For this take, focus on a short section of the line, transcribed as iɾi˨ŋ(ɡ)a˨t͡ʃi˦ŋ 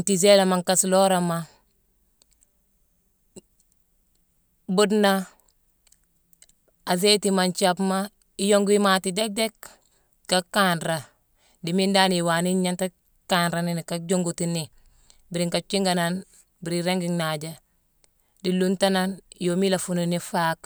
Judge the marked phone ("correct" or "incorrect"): incorrect